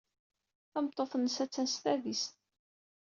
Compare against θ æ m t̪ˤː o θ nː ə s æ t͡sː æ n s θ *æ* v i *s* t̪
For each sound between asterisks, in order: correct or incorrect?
correct, correct

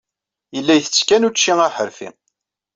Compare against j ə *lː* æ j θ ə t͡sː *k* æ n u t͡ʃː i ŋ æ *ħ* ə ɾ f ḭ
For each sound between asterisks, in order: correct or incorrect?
correct, correct, correct

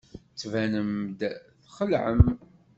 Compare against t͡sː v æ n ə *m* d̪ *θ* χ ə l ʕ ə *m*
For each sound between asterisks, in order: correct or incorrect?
correct, correct, correct

